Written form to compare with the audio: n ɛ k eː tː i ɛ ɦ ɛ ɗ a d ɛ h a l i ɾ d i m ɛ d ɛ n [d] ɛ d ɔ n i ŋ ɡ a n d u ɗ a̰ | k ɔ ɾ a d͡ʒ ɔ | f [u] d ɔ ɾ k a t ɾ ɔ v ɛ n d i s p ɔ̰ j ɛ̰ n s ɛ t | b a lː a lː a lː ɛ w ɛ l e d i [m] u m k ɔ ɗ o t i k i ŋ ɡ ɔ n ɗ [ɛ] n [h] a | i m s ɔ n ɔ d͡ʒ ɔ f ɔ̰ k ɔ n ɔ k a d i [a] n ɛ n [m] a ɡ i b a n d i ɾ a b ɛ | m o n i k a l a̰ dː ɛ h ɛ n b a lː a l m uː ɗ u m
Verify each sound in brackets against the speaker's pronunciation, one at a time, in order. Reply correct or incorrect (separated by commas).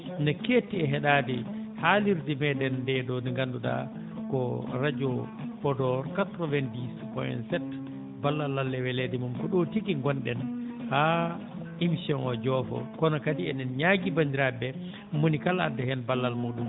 correct, incorrect, correct, correct, correct, incorrect, incorrect